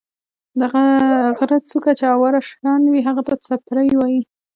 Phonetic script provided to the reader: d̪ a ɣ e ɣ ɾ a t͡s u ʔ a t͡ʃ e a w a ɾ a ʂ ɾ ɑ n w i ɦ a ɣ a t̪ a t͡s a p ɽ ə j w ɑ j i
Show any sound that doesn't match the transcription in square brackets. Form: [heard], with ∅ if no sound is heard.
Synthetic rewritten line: d̪ a ɣ [a] ɣ ɾ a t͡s u [k] a t͡ʃ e a w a ɾ a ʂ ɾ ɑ n w i ɦ a ɣ a t̪ a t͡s a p [ɾ] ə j w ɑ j i